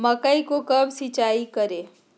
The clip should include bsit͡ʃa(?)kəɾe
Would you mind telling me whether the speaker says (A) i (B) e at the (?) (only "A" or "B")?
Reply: A